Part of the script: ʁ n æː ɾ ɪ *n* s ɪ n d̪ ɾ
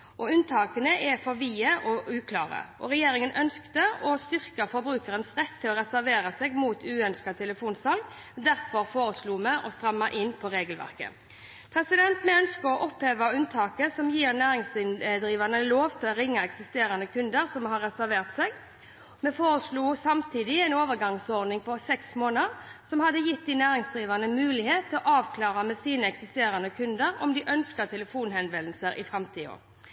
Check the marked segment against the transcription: incorrect: ŋ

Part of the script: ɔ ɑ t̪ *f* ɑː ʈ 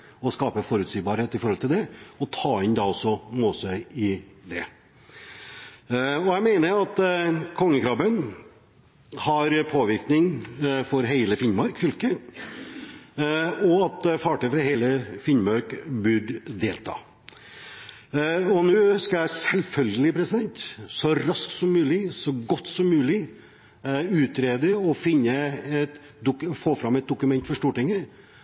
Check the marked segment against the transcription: correct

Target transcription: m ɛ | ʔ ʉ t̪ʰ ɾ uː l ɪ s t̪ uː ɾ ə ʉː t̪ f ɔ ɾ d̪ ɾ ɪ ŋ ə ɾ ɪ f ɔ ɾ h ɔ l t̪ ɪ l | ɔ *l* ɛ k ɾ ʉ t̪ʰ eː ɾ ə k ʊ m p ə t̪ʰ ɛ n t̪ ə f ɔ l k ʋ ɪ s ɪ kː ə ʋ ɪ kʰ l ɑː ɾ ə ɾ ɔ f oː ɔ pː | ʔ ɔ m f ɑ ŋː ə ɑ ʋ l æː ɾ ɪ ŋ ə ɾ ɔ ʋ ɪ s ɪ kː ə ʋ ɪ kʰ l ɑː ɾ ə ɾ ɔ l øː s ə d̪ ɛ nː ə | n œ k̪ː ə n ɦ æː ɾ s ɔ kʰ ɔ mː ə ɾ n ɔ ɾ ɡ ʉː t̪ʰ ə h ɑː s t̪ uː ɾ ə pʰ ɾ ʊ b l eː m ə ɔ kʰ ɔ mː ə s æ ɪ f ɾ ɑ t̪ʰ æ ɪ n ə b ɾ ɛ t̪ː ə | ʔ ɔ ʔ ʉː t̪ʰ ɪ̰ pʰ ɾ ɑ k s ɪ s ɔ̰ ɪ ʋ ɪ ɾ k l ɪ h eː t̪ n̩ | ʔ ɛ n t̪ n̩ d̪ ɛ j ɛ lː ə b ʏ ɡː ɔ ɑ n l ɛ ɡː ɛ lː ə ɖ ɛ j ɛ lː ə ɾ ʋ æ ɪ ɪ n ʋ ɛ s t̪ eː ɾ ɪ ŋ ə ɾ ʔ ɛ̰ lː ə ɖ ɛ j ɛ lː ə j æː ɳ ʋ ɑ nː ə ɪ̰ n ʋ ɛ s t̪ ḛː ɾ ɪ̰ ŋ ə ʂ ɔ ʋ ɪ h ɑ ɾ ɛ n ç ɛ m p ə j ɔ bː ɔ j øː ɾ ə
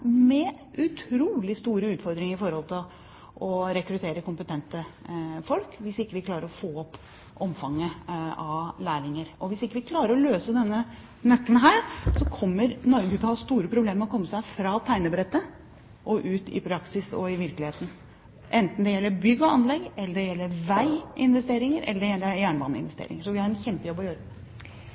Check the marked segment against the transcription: incorrect: ɾ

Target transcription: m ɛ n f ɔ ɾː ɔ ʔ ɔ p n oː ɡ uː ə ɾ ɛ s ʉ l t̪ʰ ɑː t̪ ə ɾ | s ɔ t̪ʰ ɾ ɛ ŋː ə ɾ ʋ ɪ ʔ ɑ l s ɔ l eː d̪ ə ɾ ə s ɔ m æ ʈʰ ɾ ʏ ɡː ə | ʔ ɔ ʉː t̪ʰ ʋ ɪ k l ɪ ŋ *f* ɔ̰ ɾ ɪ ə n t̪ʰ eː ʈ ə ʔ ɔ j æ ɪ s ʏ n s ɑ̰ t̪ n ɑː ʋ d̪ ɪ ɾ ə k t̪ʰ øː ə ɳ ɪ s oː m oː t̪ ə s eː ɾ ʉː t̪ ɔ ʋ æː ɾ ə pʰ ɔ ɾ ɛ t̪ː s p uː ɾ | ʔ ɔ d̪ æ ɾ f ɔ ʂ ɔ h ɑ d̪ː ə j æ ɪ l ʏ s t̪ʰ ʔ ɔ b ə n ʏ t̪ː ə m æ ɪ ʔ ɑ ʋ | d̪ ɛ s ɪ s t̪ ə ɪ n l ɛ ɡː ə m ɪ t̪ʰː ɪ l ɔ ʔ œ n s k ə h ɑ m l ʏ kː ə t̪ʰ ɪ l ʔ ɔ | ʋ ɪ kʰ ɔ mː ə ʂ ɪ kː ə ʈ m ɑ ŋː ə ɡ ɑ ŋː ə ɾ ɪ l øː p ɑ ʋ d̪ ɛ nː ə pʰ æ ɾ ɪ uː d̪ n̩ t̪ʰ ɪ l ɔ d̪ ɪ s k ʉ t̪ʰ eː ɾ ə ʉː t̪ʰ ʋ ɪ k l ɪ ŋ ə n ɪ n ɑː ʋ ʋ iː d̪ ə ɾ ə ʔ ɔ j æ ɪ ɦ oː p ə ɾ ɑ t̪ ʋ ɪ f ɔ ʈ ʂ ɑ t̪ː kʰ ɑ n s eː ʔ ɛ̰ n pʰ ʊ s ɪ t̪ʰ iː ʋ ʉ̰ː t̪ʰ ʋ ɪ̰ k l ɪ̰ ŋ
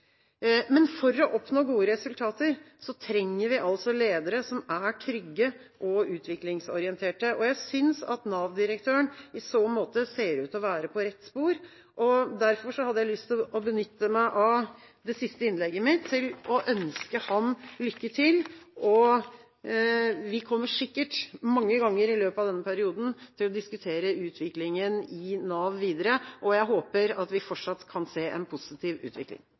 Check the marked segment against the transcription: incorrect: s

